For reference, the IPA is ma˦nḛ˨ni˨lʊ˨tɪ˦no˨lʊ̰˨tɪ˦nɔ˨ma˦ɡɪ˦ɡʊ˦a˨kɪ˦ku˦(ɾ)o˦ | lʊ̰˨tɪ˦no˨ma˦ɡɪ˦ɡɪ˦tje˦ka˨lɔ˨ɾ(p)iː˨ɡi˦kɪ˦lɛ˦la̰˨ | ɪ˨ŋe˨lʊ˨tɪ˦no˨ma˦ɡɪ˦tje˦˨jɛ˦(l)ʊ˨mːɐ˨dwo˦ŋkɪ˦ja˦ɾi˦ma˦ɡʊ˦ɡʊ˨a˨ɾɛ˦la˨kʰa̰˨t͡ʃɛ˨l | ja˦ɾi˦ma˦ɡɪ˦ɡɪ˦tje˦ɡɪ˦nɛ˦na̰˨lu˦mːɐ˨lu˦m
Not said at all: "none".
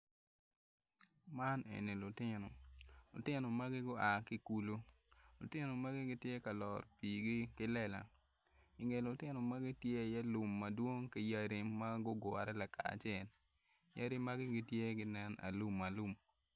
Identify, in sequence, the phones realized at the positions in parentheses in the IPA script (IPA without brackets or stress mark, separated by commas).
l, p, l